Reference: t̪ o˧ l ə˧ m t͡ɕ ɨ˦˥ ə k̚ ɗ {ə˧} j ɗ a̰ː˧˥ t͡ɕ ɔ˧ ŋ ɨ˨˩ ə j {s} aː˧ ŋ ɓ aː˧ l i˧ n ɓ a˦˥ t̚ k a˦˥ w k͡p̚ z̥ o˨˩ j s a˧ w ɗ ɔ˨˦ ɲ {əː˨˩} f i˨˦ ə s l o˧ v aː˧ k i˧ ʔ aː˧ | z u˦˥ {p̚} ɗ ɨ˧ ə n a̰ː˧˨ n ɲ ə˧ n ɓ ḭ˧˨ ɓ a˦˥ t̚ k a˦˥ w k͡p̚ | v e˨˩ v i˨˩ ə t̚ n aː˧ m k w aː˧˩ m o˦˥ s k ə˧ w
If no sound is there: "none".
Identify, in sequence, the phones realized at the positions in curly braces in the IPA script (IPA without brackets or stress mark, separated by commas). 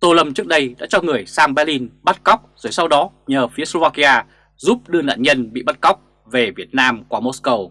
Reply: ə˧, s, əː˨˩, p̚